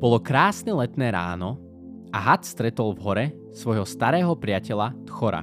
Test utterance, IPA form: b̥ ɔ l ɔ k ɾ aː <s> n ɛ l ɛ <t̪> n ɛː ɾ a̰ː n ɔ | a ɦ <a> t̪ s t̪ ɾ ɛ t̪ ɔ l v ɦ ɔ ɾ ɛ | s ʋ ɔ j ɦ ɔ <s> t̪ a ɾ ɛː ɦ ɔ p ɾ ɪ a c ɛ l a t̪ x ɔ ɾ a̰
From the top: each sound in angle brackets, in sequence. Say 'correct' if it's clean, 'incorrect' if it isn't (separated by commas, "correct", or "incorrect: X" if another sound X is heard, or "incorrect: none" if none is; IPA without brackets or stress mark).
correct, correct, correct, correct